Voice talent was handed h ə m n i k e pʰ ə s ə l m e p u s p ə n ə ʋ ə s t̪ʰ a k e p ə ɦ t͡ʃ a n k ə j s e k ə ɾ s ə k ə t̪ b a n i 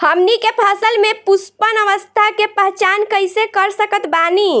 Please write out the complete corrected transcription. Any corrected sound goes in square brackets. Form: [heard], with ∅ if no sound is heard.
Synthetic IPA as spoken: h ə m n i k e pʰ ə s ə l m e p u s p ə n ə ʋ ə s t̪ʰ a k e p ə ɦ t͡ʃ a n k ə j s e k ə ɾ s ə k ə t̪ b a n i